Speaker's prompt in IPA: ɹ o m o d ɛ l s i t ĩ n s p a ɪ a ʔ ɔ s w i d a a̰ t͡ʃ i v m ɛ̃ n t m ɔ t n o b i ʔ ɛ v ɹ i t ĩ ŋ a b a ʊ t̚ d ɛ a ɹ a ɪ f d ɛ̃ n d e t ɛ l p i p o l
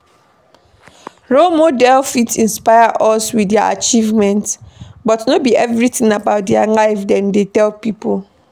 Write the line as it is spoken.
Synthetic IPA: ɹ o m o d ɛ l f i t ĩ n s p a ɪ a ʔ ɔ s w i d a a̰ t͡ʃ i v m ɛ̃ n t b ɔ t n o b i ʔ ɛ v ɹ i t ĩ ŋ a b a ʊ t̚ d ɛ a l a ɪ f d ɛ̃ n d e t ɛ l p i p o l